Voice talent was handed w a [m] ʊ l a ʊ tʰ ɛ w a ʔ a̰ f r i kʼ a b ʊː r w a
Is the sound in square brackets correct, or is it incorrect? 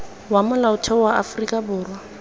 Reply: correct